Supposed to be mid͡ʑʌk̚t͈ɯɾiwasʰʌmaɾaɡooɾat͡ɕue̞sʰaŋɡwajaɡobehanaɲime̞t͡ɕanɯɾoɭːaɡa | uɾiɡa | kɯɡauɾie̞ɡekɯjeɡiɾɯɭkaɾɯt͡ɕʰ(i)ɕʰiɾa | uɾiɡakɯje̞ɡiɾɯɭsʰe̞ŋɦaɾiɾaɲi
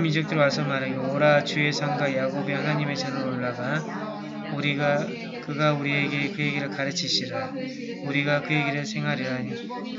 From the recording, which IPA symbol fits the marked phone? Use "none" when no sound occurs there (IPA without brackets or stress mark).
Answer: i